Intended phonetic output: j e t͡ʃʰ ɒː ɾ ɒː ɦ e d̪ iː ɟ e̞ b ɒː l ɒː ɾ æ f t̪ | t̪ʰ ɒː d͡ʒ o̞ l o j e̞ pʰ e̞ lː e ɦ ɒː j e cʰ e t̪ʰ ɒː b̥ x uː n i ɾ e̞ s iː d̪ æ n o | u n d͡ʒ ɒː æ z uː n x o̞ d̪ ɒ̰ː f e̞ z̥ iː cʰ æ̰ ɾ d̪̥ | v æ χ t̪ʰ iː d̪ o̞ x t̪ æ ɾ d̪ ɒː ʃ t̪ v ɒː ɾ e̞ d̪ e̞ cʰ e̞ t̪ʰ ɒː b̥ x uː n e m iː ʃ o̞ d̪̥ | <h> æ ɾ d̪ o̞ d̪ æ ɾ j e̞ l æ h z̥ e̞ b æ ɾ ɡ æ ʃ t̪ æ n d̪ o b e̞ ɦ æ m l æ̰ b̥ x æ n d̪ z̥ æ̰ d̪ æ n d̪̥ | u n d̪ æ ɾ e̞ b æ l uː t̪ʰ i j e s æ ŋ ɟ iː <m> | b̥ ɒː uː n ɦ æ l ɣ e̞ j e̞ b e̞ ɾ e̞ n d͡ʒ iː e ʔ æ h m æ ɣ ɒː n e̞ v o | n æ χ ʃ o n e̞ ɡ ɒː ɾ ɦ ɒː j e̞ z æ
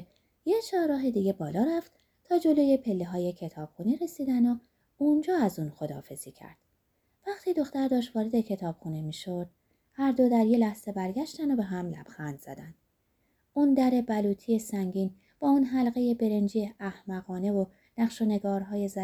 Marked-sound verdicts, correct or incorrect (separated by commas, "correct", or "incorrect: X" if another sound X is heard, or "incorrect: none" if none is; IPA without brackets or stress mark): correct, incorrect: n